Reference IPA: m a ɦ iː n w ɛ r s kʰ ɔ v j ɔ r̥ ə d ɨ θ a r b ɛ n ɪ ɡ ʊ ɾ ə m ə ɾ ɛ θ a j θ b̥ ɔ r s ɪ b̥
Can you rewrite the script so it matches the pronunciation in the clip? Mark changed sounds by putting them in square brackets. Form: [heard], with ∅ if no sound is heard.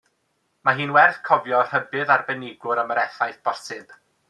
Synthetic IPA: m a ɦ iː n w ɛ r [θ] kʰ ɔ v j ɔ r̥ ə [b] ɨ [ð] a r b ɛ n ɪ ɡ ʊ ɾ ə m ə ɾ ɛ θ a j θ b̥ ɔ r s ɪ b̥